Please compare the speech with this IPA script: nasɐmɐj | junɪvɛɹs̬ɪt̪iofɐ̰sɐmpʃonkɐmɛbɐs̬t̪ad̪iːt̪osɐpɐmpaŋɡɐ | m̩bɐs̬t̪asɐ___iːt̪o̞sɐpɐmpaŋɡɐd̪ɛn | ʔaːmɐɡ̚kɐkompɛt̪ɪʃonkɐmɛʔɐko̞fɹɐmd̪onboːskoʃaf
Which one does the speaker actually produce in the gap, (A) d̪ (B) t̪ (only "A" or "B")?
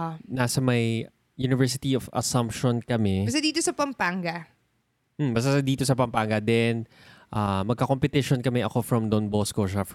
A